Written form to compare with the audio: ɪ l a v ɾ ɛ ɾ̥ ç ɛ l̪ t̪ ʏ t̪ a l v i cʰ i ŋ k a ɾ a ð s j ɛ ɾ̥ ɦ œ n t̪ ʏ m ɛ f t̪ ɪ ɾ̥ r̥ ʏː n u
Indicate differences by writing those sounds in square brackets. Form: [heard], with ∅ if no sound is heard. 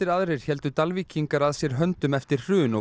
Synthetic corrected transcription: ɪ [ɾ] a [ð] ɾ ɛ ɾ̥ ç ɛ l̪ t̪ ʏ t̪ a l v i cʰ i ŋ k a ɾ a ð s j ɛ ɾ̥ ɦ œ n t̪ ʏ m ɛ f t̪ ɪ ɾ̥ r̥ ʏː n [ɔ]